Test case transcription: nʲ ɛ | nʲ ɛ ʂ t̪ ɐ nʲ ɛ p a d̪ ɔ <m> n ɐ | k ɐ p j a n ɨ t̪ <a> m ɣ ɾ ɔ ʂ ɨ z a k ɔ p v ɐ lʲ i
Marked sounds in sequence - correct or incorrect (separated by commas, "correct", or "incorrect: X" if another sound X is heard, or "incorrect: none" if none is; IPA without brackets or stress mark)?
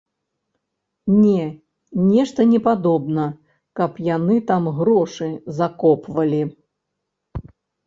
incorrect: b, correct